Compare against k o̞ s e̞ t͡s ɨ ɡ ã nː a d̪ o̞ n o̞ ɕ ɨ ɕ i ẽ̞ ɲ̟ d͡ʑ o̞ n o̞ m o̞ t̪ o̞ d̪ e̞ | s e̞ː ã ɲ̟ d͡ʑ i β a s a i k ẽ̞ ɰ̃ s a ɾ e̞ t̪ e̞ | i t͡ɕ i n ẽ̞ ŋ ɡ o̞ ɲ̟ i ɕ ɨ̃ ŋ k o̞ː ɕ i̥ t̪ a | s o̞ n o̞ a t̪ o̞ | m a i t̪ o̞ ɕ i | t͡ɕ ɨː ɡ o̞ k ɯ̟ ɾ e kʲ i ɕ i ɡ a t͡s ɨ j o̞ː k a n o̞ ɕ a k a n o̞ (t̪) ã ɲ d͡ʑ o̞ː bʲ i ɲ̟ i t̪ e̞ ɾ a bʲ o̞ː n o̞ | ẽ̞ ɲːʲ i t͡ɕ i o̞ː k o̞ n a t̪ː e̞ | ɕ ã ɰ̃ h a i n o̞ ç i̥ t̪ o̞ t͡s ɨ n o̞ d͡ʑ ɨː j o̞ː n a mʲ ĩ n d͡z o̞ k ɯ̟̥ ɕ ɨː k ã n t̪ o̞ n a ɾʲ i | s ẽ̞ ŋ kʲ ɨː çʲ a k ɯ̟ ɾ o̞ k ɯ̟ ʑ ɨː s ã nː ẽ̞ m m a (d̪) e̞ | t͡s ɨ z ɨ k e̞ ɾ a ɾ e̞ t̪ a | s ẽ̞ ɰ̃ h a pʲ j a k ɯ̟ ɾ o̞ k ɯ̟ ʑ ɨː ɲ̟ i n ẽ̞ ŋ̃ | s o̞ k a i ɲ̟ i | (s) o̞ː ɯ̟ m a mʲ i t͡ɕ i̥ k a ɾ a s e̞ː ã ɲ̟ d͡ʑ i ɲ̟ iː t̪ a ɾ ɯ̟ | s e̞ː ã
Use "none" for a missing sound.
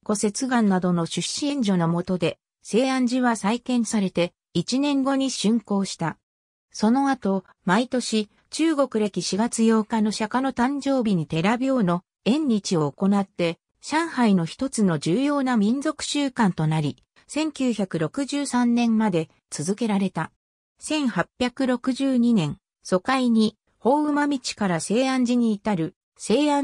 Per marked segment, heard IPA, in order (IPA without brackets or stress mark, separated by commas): t̪, d̪, h